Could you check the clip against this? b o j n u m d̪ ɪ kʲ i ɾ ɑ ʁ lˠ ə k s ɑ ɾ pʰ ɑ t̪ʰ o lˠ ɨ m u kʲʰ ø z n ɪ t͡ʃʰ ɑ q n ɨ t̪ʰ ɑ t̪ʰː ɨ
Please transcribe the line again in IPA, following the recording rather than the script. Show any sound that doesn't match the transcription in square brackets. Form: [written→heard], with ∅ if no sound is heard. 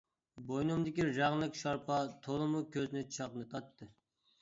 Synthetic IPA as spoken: b o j n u m d̪ ɪ kʲ i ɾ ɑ ʁ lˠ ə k [s→ʃ] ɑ ɾ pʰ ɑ t̪ʰ o lˠ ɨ m u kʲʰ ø z n ɪ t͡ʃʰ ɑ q n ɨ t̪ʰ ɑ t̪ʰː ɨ